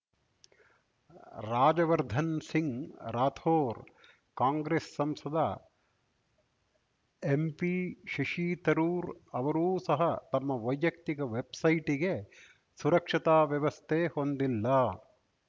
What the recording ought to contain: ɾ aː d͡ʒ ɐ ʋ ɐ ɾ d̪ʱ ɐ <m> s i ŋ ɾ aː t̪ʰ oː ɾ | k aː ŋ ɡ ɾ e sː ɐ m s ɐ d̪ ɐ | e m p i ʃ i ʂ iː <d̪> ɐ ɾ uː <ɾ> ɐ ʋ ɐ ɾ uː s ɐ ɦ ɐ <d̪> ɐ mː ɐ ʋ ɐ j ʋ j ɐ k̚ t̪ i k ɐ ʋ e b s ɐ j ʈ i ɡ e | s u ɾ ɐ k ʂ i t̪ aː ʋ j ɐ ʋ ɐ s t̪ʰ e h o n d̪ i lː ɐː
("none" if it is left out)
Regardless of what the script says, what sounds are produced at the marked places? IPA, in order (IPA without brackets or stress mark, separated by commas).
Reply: n, t̪, ɾ, t̪